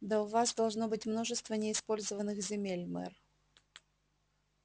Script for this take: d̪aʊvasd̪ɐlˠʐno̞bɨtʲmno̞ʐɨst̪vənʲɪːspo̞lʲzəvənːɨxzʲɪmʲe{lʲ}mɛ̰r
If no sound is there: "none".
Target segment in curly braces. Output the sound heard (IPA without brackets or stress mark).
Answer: lʲ